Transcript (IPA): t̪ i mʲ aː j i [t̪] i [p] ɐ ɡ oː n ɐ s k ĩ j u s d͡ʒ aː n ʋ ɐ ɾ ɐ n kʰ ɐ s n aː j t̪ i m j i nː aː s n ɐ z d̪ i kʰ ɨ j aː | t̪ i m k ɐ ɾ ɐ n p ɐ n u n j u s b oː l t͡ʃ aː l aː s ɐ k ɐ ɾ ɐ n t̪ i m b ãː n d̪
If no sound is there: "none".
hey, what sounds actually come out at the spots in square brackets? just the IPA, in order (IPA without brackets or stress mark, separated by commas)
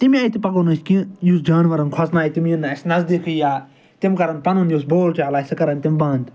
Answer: t̪, p